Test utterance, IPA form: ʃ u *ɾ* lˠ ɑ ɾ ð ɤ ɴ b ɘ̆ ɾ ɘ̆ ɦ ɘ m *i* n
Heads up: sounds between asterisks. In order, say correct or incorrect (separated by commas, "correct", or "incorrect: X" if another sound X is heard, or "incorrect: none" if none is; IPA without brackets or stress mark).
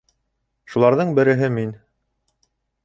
incorrect: none, correct